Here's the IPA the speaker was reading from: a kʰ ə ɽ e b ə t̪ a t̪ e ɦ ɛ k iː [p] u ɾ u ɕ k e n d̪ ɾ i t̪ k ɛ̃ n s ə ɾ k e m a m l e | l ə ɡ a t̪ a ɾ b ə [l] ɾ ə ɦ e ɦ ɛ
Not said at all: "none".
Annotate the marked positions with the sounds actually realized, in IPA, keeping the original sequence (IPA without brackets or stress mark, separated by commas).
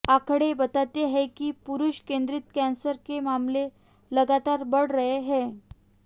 p, ɽ